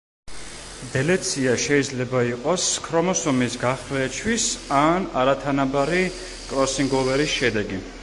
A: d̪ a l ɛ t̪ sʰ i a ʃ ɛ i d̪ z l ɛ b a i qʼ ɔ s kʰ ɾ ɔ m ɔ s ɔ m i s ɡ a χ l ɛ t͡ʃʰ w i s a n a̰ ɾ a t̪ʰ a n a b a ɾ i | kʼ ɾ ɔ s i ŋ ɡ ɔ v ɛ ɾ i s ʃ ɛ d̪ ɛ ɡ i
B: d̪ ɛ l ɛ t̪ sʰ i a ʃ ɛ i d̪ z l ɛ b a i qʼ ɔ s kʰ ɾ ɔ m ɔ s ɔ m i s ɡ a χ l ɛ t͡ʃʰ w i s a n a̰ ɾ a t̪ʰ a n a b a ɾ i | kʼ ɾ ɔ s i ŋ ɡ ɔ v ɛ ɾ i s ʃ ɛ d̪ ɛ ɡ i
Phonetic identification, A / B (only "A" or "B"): B